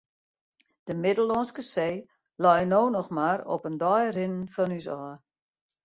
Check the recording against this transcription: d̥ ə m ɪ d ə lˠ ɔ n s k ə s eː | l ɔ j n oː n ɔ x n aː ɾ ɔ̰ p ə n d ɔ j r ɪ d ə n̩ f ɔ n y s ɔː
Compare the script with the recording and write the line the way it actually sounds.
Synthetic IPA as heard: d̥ ə m ɪ d ə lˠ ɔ n s k ə s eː | l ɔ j n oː n ɔ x m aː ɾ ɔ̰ p ə n d ɔ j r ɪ n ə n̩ f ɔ n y s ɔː